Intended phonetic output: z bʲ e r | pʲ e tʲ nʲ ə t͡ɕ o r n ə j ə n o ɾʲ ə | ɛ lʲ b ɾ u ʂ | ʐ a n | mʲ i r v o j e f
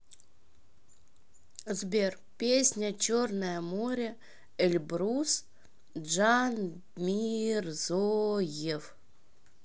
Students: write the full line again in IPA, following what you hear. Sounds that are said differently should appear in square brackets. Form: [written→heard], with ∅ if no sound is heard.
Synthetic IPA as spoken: z bʲ e r | pʲ e [tʲ→sʲ] nʲ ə t͡ɕ o r n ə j ə [n→m] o ɾʲ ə | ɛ lʲ b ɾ u [ʂ→s] | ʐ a n | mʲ i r [v→z] o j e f